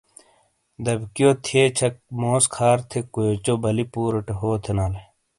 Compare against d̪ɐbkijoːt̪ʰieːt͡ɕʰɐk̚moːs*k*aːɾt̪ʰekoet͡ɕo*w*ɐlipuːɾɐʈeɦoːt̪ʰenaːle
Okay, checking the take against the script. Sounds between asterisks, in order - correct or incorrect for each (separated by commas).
incorrect, incorrect